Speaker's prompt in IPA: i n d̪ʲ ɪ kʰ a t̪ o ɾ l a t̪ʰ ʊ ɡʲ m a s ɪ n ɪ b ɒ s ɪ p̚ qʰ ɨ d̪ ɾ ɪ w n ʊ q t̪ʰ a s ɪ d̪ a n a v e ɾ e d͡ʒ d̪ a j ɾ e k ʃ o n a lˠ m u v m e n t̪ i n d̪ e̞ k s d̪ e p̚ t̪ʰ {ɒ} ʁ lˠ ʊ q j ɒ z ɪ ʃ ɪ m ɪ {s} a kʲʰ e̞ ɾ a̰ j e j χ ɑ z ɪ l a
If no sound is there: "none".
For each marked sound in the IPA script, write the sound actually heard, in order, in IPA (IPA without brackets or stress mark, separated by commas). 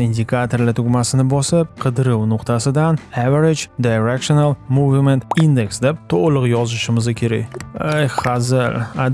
o, z